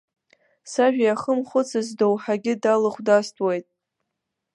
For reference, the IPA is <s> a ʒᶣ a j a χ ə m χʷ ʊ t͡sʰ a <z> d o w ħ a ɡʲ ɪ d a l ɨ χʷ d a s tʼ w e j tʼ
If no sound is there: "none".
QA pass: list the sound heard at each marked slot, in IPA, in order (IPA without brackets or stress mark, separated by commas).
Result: s, z